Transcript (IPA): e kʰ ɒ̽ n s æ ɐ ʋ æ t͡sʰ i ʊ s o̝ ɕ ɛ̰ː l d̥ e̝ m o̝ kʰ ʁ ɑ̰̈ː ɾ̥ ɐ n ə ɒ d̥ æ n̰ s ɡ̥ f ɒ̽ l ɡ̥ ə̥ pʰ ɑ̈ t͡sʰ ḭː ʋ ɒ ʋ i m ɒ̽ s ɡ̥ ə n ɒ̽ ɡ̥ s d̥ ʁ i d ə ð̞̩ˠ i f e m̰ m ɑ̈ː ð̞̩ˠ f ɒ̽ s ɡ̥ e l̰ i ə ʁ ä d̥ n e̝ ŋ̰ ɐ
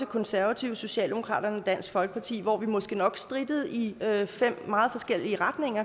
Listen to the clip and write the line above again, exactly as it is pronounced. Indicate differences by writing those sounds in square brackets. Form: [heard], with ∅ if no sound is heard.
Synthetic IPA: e kʰ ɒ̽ n s æ ɐ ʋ æ t͡sʰ i ʊ s o̝ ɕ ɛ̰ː l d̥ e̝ m o̝ kʰ ʁ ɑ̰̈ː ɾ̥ ɐ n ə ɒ d̥ æ n̰ s ɡ̥ f ɒ̽ l ɡ̥ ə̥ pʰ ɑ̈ t͡sʰ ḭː ʋ ɒ ʋ i m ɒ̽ s ɡ̥ ə n ɒ̽ ɡ̥ s d̥ ʁ i d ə ð̞̩ˠ i f e m̰ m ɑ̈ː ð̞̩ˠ f ɒ̽ s ɡ̥ e l̰ i ə ʁ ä d̥ n e̝ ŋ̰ ɐ